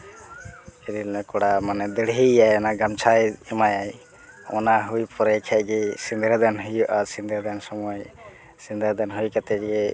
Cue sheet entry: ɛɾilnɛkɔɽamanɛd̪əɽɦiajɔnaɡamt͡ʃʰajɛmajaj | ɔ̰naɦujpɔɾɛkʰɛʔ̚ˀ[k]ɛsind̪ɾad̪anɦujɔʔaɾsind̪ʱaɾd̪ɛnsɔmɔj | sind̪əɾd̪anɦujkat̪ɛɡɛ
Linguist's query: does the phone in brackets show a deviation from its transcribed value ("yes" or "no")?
yes